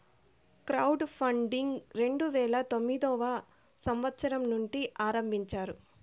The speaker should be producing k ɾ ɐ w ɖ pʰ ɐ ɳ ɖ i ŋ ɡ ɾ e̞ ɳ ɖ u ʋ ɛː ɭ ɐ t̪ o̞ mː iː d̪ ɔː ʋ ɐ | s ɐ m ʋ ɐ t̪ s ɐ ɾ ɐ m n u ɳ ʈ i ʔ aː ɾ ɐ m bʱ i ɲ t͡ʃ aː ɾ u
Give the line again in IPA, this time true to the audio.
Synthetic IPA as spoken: k ɾ ɐ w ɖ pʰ ɐ ɳ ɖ i ŋ ɡ ɾ e̞ ɳ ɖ u ʋ ɛː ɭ ɐ t̪ o̞ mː i d̪ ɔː ʋ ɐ | s ɐ m ʋ ɐ t̪ s ɐ ɾ ɐ m n u ɳ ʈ i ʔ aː ɾ ɐ m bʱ i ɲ t͡ʃ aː ɾ u